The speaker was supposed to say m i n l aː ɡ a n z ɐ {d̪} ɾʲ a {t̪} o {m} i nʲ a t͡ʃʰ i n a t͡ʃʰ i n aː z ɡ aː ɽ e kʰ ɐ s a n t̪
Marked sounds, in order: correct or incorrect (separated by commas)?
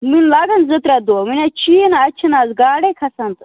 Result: incorrect, incorrect, correct